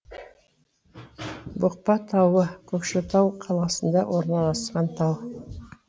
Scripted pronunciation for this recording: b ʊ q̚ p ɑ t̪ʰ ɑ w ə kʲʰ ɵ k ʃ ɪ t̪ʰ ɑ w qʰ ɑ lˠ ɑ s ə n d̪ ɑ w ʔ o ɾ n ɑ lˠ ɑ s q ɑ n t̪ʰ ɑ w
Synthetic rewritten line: b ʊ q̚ p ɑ t̪ʰ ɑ w ə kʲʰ ɵ k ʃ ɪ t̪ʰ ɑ w qʰ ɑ lˠ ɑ s ə n d̪ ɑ w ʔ o ɾ n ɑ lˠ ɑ s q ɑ n t̪ʰ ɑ w